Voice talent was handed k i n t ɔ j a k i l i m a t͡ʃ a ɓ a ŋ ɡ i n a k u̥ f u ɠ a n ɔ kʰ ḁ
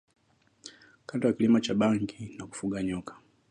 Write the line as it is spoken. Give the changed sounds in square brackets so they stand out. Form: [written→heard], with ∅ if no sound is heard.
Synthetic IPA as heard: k [i→a] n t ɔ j a k i l i m a t͡ʃ a ɓ a ŋ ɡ i n a k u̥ f u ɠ a [n→ɲ] ɔ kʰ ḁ